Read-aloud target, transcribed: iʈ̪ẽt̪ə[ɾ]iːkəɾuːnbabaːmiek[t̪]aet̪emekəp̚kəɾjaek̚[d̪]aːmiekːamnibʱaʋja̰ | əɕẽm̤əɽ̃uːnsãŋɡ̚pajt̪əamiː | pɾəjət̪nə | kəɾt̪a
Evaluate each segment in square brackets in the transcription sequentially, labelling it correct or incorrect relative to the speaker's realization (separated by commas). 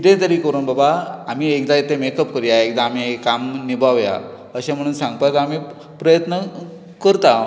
correct, incorrect, correct